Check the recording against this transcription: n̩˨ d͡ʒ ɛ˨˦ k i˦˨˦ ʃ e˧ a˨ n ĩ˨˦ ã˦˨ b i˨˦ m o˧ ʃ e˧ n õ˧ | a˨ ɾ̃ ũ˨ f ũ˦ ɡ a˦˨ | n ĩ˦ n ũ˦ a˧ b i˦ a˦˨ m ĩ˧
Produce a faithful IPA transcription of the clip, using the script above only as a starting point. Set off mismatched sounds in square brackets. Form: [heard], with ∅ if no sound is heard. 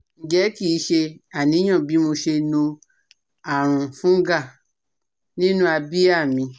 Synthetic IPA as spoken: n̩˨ d͡ʒ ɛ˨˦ k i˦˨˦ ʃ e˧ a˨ n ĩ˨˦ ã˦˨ b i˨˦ m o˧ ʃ e˧ n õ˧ | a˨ ɾ̃ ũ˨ f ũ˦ ɡ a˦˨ | n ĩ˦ n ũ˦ a˧ b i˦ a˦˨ m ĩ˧